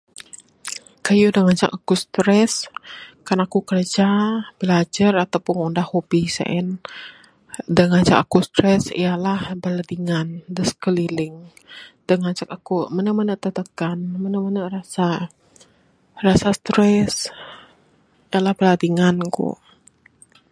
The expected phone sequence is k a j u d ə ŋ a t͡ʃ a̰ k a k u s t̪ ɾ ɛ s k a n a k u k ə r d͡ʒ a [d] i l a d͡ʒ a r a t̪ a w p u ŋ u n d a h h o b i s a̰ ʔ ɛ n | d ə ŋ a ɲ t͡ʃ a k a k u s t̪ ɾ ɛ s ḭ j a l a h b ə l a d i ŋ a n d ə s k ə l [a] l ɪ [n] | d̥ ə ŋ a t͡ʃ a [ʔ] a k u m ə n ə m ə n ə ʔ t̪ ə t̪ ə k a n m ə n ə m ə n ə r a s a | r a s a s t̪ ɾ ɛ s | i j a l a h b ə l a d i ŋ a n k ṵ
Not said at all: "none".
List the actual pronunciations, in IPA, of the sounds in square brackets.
b, i, ŋ, k

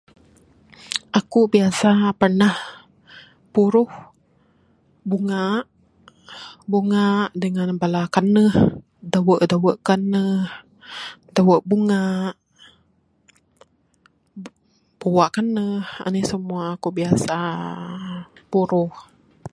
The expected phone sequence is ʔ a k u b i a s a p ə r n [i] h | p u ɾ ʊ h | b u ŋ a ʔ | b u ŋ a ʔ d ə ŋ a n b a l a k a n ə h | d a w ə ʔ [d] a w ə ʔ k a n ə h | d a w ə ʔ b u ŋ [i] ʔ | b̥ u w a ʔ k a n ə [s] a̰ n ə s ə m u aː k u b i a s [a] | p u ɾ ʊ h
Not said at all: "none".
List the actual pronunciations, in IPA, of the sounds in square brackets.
a, d, a, h, a

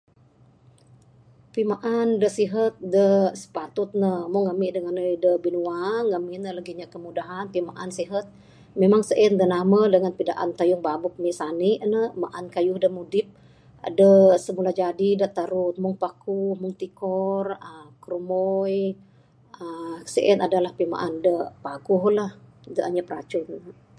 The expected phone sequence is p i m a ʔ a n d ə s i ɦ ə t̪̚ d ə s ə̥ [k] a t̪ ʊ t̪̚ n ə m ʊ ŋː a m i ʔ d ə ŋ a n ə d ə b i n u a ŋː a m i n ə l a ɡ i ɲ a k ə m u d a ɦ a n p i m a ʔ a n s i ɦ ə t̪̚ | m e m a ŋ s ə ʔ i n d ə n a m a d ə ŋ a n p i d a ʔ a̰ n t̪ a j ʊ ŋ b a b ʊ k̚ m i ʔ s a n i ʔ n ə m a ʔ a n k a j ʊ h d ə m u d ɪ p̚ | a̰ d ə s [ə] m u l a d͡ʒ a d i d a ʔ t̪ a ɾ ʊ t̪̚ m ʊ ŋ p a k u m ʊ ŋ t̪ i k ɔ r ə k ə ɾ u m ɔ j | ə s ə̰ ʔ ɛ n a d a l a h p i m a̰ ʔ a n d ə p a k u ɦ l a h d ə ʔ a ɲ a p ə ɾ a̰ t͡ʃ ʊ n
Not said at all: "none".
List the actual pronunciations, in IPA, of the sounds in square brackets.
p, ə

